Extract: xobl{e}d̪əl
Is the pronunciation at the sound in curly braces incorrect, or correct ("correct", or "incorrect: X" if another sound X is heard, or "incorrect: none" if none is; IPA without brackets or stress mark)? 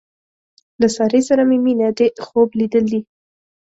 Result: incorrect: i